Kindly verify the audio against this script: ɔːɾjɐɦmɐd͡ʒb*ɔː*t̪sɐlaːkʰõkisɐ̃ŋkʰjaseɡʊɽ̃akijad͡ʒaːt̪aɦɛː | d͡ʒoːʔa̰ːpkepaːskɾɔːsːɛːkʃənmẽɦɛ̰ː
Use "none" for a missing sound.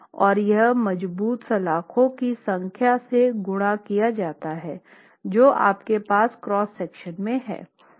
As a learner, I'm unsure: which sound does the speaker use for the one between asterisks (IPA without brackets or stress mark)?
uː